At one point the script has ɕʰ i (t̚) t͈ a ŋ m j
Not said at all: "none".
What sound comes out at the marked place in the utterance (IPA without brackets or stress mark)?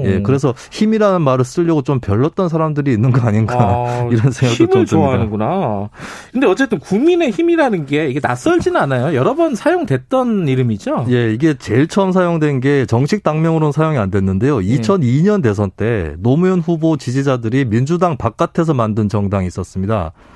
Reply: k̚